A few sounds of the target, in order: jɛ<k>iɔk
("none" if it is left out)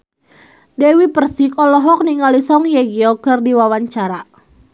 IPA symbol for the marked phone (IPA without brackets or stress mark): ɡ